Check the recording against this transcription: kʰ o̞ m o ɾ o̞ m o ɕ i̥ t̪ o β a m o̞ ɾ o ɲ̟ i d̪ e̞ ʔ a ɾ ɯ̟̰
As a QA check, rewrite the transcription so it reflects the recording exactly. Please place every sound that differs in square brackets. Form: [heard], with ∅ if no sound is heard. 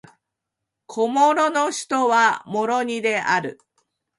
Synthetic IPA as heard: kʰ o̞ m o ɾ o̞ [n] o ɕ i̥ t̪ o β a m o̞ ɾ o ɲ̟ i d̪ e̞ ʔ a ɾ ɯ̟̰